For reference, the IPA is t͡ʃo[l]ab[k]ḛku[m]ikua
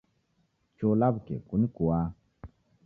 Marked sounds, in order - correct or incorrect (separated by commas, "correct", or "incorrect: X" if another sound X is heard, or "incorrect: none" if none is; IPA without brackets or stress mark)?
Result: correct, correct, incorrect: n